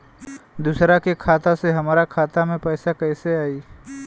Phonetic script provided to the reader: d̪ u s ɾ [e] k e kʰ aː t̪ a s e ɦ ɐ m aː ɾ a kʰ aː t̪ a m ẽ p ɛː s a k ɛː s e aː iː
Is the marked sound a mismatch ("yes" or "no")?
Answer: yes